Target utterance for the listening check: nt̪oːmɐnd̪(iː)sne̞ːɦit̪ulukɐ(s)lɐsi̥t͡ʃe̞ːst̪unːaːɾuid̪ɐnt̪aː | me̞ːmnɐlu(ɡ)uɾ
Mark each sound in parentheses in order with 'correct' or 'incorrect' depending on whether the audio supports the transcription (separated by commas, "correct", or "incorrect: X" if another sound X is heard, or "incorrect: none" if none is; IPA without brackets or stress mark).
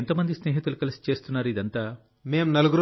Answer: incorrect: i, incorrect: none, correct